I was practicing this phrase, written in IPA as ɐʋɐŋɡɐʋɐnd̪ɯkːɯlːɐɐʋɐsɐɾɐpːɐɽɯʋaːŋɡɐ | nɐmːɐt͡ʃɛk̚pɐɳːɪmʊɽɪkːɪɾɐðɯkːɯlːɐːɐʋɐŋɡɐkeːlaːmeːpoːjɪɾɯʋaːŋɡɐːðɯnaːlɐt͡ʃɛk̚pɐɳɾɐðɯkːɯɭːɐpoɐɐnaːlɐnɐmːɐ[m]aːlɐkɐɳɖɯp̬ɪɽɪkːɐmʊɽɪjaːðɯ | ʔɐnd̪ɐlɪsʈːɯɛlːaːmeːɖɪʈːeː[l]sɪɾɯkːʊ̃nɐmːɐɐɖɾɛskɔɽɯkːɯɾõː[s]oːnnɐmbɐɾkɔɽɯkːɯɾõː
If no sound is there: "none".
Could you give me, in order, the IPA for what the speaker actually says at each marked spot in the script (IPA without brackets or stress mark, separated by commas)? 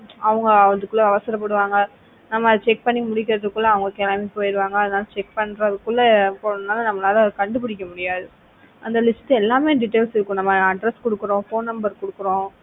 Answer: n, l, f